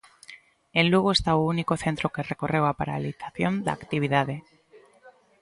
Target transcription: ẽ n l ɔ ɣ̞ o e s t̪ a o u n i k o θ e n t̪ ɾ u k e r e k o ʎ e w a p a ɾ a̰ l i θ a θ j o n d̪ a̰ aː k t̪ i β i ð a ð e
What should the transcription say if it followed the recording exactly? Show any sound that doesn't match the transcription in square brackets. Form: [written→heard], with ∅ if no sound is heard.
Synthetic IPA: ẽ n l [ɔ→u] ɣ̞ o e s t̪ a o u n i k o θ e n t̪ ɾ [u→o] k e r e k o [ʎ→r] e w a p a ɾ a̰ l i θ a θ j o n d̪ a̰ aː k t̪ i β i ð a ð e